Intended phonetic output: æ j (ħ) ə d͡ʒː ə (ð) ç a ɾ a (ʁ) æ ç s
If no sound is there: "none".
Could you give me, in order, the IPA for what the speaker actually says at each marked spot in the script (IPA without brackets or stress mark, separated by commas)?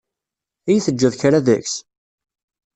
θ, ð, ð